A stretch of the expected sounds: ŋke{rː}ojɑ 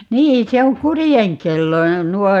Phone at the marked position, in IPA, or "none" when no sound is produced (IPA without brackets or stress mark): lː